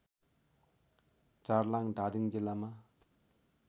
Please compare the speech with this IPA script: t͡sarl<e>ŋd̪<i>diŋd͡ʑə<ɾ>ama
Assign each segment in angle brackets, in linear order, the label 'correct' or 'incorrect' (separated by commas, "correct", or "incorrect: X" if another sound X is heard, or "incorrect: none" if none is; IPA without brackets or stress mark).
incorrect: a, incorrect: a, incorrect: l